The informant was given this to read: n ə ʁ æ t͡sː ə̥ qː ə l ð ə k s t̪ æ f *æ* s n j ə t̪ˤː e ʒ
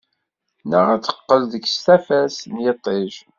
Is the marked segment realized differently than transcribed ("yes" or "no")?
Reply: no